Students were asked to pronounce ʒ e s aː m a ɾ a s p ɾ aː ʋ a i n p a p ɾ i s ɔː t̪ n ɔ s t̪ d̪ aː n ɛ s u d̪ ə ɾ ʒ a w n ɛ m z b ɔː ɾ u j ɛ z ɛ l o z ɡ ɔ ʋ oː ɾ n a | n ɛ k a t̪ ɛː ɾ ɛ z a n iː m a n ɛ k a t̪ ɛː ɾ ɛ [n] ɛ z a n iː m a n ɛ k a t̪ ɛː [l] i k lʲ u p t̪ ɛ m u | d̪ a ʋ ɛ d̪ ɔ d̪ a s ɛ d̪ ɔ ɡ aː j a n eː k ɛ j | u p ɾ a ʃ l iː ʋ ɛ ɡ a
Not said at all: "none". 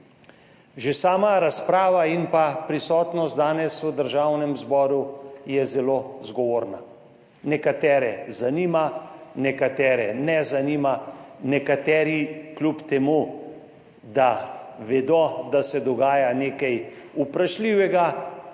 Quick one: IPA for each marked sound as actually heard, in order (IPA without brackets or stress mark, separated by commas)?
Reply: n, ɾ